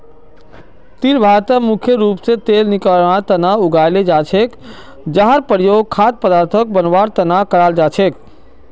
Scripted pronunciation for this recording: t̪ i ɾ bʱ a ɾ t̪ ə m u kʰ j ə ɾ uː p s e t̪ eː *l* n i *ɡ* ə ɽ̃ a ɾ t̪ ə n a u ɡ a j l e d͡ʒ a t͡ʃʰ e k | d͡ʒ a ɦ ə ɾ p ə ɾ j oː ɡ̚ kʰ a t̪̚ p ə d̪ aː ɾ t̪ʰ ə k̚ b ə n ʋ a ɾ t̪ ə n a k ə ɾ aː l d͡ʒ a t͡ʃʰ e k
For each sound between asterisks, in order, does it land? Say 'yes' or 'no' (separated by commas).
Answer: yes, no